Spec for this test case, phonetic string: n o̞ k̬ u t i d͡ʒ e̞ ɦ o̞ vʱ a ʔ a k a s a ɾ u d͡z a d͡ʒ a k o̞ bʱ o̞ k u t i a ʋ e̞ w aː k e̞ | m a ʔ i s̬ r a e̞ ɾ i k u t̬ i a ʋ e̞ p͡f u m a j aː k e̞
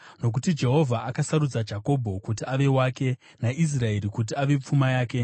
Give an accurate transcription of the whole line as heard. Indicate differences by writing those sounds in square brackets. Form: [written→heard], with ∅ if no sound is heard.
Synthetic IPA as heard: n o̞ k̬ u t i d͡ʒ e̞ ɦ o̞ vʱ a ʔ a k a s a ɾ u d͡z a d͡ʒ a k o̞ bʱ o̞ k u t i a ʋ e̞ w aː k e̞ | [m→n] a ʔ i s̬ r a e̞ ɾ i k u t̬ i a ʋ e̞ p͡f u m a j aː k e̞